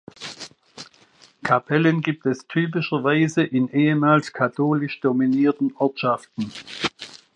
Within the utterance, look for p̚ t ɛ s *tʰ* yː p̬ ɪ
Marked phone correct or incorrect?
correct